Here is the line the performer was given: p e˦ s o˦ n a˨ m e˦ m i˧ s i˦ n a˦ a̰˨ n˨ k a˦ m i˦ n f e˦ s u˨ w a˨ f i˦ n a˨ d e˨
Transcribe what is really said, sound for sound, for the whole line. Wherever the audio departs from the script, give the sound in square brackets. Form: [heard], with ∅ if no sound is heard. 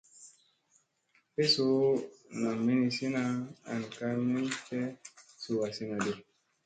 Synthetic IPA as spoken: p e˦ s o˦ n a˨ m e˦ [n] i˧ s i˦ n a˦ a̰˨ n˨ k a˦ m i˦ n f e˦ s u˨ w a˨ [s] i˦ n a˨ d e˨